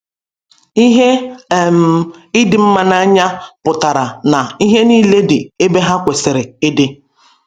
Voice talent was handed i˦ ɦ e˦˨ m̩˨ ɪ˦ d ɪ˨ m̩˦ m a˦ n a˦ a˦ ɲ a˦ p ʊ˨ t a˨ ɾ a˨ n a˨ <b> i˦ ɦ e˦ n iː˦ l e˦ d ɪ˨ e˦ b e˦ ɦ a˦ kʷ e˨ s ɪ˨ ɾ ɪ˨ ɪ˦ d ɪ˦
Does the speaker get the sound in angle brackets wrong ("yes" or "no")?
yes